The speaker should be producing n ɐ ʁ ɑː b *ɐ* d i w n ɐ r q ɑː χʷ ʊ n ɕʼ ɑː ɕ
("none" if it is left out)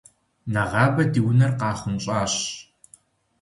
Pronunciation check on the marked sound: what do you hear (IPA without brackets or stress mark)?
ɐ